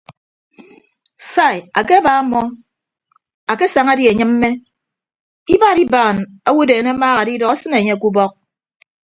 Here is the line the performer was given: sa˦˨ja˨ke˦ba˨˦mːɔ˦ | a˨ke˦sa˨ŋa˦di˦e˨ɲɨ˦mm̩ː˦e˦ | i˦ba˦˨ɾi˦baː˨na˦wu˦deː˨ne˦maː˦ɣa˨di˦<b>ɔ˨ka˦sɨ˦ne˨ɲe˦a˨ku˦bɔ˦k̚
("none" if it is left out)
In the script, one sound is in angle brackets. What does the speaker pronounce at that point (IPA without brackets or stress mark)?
d